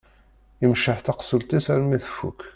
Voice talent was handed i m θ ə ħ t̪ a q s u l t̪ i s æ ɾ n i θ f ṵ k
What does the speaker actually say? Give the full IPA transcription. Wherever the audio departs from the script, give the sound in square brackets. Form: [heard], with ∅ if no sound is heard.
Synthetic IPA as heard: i m [ʃ] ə ħ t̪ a q s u l t̪ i s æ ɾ [m] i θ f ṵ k